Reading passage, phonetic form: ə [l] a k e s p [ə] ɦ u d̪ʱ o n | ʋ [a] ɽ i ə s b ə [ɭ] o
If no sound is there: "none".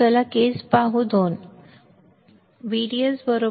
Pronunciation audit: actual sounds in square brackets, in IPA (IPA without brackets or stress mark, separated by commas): l, a, i, ɾ